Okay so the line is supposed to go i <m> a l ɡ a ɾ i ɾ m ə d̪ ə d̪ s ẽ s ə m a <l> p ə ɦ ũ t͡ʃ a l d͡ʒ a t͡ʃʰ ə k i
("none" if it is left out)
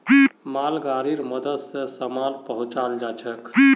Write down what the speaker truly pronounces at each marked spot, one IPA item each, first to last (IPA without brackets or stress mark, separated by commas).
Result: m, l